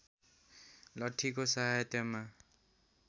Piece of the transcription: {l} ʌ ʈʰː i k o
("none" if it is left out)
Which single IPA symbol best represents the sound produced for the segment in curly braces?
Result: l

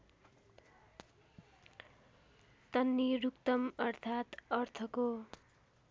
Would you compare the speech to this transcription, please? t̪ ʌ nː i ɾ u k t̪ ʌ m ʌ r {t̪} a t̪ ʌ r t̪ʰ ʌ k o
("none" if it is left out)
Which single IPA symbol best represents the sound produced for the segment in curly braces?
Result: t̪ʰ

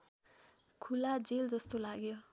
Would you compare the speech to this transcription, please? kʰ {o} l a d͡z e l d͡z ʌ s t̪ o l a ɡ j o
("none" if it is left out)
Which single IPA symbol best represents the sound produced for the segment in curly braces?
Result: u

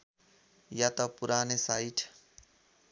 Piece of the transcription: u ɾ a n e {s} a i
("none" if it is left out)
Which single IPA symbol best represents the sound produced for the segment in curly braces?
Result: s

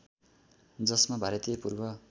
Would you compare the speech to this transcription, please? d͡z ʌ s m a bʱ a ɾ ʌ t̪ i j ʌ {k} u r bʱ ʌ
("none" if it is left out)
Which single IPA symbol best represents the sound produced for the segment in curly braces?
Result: p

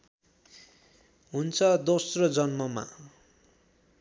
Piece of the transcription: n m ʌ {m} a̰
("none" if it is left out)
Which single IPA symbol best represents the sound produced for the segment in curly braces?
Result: m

